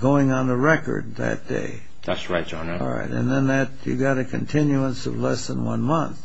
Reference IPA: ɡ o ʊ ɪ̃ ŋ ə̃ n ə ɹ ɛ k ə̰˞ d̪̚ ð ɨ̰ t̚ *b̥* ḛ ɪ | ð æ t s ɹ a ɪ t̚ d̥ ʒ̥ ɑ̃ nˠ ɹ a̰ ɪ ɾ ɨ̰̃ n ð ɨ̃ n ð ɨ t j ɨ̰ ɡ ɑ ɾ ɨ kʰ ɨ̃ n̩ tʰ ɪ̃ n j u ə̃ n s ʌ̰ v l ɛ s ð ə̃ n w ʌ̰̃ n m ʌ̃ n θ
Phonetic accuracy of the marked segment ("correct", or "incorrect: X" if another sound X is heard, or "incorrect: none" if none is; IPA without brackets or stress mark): incorrect: d̥